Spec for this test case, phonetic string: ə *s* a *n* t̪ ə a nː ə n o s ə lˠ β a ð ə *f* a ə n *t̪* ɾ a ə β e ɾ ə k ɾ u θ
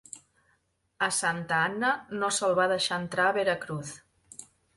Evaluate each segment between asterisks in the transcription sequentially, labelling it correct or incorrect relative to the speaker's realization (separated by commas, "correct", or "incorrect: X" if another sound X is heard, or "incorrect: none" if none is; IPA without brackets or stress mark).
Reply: correct, correct, incorrect: ʃ, correct